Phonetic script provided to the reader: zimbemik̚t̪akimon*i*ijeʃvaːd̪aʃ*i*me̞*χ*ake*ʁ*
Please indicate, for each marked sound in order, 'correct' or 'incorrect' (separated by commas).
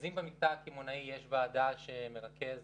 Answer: incorrect, incorrect, incorrect, incorrect